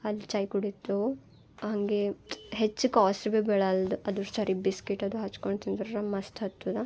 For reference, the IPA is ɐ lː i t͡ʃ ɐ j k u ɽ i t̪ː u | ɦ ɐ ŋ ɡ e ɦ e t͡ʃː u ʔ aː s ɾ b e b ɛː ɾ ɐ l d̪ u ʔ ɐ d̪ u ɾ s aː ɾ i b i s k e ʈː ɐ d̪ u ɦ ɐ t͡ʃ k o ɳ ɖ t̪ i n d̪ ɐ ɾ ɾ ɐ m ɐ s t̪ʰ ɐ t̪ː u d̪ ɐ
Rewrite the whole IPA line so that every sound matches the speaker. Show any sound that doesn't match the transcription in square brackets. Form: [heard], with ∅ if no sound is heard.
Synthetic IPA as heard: ɐ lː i t͡ʃ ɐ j k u ɽ i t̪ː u | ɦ ɐ ŋ ɡ e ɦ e t͡ʃː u [k] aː s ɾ b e b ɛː [ɭ] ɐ l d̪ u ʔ ɐ d̪ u ɾ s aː ɾ i b i s k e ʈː ɐ d̪ u ɦ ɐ t͡ʃ k o ɳ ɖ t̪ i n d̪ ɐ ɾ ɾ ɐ m ɐ s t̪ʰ ɐ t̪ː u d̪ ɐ